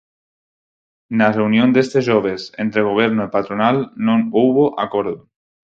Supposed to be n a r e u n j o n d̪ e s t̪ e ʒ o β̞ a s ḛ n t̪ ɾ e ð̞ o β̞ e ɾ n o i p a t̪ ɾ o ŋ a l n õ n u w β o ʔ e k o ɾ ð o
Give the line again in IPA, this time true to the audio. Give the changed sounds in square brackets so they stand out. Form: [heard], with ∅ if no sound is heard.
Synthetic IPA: n a r e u n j o n d̪ e s t̪ e ʒ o β̞ [e] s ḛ n t̪ ɾ e [ɣ̞] o β̞ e ɾ n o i p a t̪ ɾ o [n] a l n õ n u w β o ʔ [a] k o ɾ ð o